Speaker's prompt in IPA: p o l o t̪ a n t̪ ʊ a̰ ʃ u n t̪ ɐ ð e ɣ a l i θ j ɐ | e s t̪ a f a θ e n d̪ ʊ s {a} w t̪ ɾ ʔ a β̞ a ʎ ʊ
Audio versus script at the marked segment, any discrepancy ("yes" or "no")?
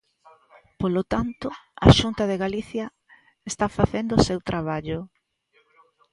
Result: yes